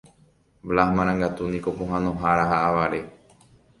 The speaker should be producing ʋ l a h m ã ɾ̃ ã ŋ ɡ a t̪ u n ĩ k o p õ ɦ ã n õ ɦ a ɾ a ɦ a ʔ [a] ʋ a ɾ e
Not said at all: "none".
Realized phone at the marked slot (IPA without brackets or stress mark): a